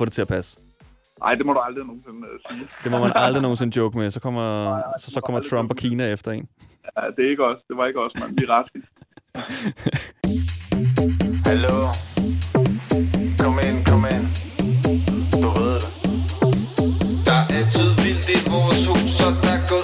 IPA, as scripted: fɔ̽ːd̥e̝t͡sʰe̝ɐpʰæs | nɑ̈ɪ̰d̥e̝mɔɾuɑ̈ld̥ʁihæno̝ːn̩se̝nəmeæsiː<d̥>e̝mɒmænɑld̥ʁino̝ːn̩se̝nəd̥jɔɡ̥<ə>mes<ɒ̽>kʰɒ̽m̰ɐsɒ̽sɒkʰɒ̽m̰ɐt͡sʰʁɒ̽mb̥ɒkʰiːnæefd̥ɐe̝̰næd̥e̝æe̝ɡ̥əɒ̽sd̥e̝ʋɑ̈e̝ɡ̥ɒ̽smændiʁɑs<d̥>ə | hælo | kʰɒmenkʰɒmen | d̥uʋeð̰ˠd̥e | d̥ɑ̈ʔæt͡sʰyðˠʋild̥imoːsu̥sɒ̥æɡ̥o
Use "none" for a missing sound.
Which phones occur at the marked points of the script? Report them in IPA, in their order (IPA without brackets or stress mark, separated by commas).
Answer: d̥, ə, ɒ̽, ɡ̥